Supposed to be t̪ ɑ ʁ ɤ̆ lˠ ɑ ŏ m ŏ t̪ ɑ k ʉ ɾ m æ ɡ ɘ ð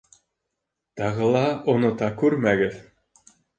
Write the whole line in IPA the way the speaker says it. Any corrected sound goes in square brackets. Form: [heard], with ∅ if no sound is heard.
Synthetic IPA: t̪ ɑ ʁ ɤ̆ lˠ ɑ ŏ [n] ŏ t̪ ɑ k ʉ ɾ m æ ɡ ɘ ð